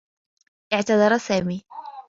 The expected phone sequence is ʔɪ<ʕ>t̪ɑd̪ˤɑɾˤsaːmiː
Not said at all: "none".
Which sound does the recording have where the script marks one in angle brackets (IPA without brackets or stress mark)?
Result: ʕ